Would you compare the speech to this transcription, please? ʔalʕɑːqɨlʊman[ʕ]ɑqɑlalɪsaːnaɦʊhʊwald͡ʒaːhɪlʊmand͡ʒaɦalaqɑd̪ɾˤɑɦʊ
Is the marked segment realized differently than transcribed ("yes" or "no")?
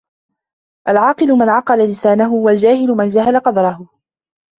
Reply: no